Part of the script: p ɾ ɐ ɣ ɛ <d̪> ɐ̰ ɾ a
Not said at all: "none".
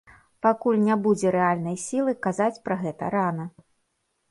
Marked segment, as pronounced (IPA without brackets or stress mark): t̪